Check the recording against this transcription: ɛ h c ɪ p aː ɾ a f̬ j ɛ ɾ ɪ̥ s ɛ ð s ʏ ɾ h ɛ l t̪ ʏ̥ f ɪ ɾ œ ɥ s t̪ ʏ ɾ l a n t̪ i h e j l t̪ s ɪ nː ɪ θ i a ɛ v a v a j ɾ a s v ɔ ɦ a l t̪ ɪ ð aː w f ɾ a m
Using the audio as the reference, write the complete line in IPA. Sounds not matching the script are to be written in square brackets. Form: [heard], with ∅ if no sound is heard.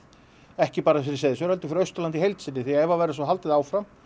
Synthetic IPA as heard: ɛ h c ɪ p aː ɾ a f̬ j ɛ ɾ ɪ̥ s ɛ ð s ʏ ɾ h ɛ l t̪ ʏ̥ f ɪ ɾ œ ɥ s t̪ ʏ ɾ l a n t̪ i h e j l t̪ s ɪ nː ɪ θ i a ɛ v a v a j ɾ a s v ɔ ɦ a l t̪ ɪ ð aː w f ɾ a m